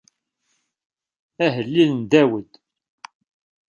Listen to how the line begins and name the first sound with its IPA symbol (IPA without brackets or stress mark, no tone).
æ